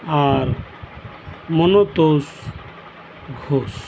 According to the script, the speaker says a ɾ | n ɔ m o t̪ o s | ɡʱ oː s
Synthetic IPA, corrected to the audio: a ɾ | m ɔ n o t̪ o s | ɡʱ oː s